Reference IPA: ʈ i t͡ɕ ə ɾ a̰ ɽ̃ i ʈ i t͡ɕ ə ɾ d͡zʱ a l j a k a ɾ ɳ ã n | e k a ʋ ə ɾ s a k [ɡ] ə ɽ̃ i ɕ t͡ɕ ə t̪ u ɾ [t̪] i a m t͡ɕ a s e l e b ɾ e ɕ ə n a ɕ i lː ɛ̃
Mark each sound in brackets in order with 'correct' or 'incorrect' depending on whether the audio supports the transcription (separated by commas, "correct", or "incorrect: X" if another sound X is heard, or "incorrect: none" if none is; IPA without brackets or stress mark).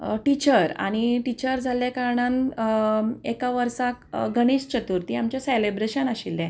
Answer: correct, correct